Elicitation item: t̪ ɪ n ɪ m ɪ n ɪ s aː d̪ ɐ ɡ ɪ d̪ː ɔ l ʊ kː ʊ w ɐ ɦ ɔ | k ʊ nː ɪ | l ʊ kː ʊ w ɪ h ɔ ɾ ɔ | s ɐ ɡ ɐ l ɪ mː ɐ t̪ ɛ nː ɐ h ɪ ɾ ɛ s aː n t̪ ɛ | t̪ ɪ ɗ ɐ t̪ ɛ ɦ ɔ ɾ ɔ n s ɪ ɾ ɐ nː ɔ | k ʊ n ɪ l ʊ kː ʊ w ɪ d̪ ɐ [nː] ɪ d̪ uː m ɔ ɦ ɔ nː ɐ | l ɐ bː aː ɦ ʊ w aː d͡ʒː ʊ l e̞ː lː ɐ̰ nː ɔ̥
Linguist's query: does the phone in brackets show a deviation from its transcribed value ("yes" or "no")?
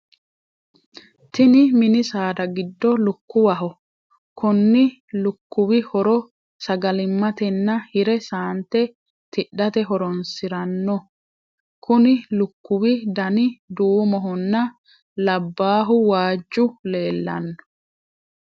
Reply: yes